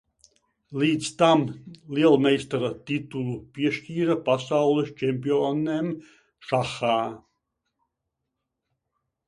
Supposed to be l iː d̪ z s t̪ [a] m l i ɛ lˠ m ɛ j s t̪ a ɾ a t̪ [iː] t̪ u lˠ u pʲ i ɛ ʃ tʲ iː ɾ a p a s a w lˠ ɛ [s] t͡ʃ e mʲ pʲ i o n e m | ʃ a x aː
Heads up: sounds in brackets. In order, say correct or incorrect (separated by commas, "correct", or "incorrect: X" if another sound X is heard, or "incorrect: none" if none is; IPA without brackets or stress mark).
correct, incorrect: i, correct